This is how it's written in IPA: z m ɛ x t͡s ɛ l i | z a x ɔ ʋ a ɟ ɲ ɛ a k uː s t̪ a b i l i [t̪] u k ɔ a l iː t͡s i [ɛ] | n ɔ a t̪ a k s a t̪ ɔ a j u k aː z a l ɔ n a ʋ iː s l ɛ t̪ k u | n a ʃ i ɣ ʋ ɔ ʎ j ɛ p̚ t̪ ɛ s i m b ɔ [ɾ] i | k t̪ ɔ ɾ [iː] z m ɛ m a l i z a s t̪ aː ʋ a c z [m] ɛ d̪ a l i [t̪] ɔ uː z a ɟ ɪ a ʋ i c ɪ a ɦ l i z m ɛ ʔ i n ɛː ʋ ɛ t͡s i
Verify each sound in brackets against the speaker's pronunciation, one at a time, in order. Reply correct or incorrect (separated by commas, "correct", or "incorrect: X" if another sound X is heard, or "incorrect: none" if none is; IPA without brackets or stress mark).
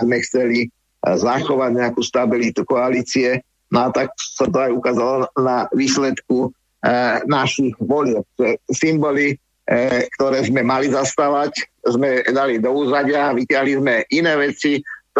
correct, correct, incorrect: l, incorrect: ɛː, correct, incorrect: d̪